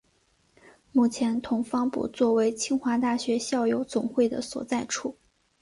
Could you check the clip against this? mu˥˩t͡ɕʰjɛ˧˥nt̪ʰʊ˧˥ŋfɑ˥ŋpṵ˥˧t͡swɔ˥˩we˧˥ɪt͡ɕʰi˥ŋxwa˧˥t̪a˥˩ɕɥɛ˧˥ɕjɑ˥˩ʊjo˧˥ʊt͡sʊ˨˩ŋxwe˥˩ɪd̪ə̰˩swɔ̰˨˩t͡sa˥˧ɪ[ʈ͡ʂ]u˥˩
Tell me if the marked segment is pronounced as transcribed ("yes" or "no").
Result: no